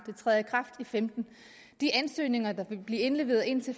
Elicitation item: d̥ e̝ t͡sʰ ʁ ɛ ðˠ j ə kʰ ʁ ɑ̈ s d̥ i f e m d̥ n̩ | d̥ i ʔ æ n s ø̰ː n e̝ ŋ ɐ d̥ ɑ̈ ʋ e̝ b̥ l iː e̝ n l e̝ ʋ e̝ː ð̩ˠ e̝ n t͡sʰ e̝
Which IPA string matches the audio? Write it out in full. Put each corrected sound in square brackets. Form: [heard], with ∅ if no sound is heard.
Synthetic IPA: d̥ e̝ t͡sʰ ʁ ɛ ðˠ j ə kʰ ʁ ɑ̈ [f] d̥ i f e m d̥ n̩ | d̥ i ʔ æ n s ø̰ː n e̝ ŋ ɐ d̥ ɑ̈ ʋ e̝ b̥ l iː e̝ n l e̝ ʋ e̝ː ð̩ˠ e̝ n t͡sʰ e̝